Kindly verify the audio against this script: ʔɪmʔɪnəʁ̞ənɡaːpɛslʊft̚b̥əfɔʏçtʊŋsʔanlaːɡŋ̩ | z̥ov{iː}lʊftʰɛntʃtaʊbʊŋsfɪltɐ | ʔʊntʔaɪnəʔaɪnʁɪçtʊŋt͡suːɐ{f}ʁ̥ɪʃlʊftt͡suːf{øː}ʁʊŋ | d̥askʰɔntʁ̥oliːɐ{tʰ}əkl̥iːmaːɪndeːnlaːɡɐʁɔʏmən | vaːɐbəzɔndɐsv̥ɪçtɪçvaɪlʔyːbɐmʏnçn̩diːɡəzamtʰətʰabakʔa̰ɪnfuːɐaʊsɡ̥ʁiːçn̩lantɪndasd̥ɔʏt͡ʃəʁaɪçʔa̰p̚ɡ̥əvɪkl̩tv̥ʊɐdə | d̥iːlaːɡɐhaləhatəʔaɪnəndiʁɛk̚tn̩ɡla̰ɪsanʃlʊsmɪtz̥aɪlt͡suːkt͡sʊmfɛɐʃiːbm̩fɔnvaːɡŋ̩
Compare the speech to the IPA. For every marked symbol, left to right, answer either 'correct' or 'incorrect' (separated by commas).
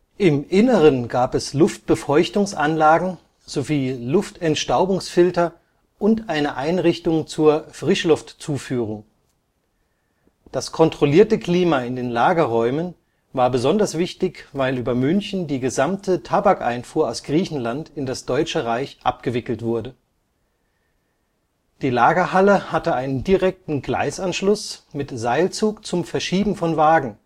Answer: correct, correct, incorrect, incorrect